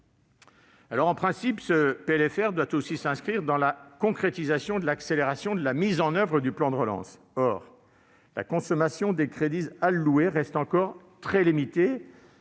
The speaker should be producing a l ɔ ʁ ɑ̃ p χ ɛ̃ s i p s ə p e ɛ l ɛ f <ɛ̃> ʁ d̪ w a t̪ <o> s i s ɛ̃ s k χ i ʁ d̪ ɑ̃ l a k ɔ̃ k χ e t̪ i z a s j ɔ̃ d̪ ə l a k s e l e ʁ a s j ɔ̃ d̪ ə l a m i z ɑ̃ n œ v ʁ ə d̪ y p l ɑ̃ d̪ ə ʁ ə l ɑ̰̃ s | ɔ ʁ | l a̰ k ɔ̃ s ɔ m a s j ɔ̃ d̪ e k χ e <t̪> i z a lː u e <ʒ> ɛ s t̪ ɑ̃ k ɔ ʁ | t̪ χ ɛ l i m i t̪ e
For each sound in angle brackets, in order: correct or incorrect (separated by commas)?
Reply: incorrect, correct, incorrect, incorrect